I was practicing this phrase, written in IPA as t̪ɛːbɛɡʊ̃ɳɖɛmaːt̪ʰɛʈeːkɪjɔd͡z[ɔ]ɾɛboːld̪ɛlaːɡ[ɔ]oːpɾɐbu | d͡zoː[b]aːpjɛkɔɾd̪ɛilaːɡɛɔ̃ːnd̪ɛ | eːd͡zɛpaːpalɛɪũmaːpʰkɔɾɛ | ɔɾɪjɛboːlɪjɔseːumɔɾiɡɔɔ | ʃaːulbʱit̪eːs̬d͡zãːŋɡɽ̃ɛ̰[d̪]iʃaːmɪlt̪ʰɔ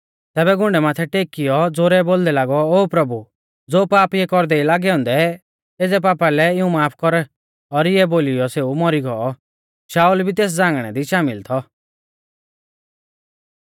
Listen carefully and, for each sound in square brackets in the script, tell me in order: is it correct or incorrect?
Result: incorrect: o, correct, incorrect: p, correct

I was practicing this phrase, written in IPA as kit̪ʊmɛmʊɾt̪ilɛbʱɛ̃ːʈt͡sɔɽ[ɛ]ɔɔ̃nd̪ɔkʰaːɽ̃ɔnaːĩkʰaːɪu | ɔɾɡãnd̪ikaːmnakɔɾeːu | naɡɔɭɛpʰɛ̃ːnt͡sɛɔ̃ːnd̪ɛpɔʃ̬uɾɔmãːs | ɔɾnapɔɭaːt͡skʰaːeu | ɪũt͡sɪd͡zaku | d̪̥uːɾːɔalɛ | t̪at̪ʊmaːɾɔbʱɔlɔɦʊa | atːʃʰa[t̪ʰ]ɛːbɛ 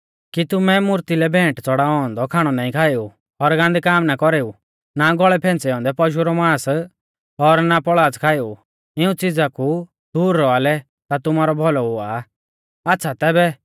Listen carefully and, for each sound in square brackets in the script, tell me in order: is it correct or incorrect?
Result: incorrect: a, incorrect: t̪

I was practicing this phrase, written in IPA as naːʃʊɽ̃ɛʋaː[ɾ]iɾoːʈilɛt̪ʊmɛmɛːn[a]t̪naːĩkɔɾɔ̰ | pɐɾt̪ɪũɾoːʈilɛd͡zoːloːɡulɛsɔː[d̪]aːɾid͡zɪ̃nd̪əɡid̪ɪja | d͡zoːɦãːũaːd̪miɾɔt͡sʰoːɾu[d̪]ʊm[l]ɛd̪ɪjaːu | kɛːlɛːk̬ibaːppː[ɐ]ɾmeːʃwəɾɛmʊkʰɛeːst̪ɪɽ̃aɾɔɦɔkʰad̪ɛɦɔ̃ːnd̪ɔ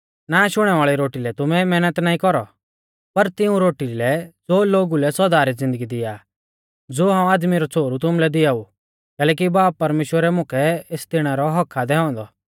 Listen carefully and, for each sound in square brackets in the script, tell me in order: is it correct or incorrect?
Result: incorrect: ɭ, incorrect: ə, correct, incorrect: t̪, correct, correct

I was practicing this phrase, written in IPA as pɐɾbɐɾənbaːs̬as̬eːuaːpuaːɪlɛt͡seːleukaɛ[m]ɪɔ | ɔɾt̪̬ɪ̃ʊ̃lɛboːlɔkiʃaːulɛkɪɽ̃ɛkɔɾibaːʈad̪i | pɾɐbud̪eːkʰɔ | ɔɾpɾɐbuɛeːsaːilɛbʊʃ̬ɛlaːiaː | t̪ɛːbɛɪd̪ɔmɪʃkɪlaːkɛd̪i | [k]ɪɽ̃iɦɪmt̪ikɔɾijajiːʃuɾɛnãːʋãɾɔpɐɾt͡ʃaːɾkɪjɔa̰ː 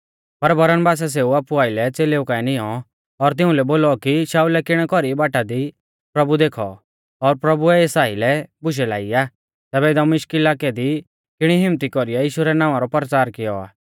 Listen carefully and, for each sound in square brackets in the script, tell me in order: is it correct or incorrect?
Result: incorrect: n, correct

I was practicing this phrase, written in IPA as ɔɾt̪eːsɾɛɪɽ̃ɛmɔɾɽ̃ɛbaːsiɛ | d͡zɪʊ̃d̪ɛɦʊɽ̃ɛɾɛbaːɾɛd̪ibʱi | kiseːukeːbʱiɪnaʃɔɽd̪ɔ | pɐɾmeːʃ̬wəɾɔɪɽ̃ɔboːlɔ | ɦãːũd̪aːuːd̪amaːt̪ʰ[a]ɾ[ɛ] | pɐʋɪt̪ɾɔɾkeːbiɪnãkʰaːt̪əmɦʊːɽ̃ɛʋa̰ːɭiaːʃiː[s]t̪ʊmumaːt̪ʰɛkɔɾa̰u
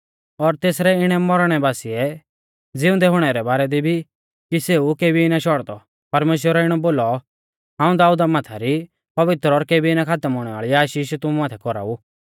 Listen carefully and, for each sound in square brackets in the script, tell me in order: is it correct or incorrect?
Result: correct, incorrect: i, incorrect: ʃ

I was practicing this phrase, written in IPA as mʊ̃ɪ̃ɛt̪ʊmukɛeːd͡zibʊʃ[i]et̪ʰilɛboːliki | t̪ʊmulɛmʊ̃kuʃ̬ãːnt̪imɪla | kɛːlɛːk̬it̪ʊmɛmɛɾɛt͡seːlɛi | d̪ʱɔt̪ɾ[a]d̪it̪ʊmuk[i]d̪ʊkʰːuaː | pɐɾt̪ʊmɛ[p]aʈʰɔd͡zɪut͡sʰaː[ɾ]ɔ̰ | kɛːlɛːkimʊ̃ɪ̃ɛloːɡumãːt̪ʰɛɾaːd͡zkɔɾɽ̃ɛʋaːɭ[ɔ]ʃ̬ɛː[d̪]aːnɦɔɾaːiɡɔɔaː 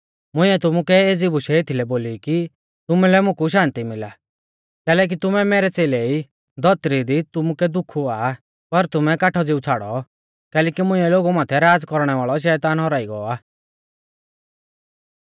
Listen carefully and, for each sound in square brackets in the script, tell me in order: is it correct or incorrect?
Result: incorrect: ɛ, incorrect: i, incorrect: ɛ, incorrect: k, incorrect: ɽ, correct, incorrect: t̪

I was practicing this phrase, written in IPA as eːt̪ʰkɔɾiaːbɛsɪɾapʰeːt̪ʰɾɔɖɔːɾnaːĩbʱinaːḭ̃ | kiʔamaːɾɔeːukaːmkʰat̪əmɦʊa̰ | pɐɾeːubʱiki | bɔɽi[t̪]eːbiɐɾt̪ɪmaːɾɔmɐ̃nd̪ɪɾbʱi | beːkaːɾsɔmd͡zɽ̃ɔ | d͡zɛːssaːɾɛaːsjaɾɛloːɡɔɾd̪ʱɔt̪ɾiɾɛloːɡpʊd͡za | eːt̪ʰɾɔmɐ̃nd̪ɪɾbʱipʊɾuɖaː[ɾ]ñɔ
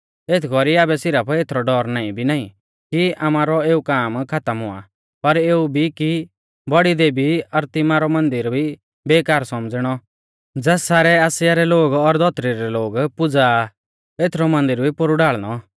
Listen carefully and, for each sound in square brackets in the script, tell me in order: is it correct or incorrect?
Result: incorrect: d̪, incorrect: ɭ

